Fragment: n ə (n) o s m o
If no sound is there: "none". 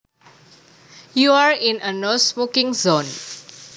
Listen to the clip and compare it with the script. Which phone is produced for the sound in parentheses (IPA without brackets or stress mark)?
n